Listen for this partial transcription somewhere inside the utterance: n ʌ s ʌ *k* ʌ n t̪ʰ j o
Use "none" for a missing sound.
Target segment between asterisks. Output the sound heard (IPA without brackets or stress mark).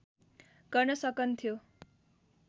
k